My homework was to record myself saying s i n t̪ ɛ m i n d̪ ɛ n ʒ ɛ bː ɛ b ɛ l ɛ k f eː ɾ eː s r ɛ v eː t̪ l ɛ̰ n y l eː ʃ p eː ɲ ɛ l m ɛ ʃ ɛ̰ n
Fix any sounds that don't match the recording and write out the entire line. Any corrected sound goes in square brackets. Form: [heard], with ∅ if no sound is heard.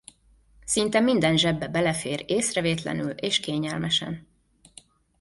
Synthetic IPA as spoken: s i n t̪ ɛ m i n d̪ ɛ n ʒ ɛ bː ɛ b ɛ l ɛ [∅] f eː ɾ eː s r ɛ v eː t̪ l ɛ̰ n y l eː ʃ [k] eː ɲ ɛ l m ɛ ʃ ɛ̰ n